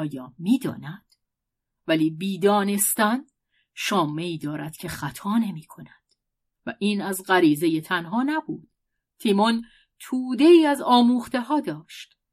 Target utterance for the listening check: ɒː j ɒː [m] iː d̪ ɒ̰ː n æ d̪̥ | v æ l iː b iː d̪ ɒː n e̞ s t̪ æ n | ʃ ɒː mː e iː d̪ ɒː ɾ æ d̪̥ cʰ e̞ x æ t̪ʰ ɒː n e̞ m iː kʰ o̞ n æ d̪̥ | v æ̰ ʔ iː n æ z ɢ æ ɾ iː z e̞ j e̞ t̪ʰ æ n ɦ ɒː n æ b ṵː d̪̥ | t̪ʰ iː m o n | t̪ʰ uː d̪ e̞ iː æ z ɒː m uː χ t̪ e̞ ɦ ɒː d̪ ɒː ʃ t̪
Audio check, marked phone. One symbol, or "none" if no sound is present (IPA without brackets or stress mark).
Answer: m